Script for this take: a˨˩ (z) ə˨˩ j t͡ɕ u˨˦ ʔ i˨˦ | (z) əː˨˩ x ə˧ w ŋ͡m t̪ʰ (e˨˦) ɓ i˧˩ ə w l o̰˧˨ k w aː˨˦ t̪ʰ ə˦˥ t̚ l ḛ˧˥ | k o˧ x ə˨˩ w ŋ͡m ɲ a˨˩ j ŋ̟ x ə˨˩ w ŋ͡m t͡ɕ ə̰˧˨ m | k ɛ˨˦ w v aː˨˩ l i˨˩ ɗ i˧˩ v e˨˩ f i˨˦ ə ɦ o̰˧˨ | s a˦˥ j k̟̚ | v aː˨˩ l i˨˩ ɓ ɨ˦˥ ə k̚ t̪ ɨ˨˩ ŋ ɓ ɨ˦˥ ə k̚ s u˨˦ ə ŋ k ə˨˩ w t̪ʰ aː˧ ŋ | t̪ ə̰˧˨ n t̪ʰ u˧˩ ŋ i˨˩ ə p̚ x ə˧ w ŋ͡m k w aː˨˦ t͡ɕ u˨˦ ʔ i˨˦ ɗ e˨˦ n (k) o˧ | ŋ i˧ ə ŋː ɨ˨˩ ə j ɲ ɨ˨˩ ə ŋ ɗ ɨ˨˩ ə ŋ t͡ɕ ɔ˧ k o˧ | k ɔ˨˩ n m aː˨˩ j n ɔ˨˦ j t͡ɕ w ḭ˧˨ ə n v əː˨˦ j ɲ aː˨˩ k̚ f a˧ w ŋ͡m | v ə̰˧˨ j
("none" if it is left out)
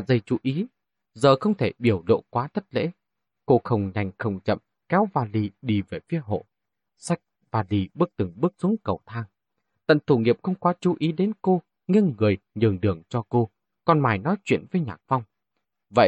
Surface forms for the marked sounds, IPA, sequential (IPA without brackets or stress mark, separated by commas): z, z, e˧˩, k